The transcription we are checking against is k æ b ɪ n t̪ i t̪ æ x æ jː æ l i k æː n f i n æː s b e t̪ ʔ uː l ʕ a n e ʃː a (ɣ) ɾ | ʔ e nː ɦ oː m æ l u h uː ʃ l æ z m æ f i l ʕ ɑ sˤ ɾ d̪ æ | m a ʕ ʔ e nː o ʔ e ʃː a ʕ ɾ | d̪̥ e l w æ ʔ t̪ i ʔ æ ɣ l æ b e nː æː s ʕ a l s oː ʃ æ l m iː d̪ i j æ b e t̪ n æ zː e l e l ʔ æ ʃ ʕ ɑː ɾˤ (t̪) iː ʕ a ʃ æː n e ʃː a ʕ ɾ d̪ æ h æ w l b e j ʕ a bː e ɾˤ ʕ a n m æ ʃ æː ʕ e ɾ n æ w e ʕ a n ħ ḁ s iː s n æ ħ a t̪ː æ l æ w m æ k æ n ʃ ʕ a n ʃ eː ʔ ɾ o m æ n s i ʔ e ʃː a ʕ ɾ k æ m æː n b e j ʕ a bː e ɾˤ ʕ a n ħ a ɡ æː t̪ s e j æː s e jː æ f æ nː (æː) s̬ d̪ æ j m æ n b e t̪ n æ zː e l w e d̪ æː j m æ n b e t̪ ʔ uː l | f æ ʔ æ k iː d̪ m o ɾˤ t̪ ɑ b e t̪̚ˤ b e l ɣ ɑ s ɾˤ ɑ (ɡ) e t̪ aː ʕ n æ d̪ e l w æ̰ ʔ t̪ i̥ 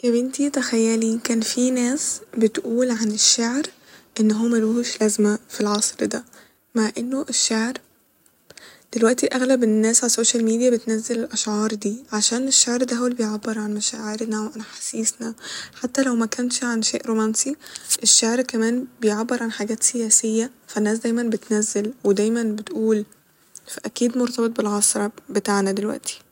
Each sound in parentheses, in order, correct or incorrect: incorrect, incorrect, correct, incorrect

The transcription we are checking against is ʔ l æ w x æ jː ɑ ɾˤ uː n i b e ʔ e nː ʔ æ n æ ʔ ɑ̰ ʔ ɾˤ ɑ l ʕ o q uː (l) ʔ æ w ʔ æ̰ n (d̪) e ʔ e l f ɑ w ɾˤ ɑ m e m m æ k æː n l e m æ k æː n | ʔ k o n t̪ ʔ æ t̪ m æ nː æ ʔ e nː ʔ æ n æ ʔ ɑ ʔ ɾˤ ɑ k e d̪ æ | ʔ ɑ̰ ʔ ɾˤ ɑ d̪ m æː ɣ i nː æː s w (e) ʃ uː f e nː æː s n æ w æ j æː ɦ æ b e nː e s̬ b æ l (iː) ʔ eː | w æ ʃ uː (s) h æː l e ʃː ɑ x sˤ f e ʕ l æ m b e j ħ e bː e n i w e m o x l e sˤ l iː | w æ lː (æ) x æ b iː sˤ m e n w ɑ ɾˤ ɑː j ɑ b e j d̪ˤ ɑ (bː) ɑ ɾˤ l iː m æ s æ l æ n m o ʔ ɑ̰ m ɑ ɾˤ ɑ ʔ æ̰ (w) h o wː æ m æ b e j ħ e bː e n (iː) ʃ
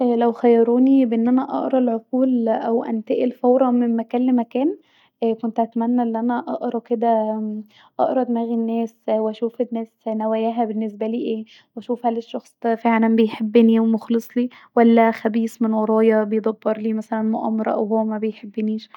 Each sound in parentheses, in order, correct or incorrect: correct, incorrect, incorrect, correct, incorrect, correct, correct, correct, correct

